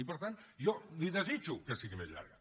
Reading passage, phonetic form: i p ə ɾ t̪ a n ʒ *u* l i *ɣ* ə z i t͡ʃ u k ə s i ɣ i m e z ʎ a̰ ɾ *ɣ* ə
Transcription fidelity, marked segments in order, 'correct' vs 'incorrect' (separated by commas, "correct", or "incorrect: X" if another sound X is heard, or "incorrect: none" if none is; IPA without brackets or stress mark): incorrect: ɔ, incorrect: ð, correct